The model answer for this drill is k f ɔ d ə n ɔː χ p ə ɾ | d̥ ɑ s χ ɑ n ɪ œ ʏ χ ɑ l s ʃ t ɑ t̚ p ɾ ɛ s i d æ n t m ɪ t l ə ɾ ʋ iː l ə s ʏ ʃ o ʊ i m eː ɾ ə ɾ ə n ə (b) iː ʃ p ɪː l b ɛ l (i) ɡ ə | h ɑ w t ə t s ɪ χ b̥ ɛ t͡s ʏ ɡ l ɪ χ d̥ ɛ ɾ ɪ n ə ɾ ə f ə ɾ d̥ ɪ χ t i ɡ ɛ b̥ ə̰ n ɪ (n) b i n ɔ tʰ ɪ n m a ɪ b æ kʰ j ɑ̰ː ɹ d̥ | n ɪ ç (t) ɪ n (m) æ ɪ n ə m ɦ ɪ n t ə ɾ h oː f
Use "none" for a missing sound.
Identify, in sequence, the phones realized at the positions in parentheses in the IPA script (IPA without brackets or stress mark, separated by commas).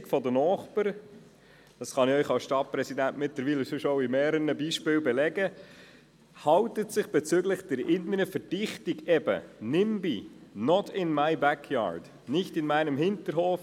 b, ɛ, m, t, m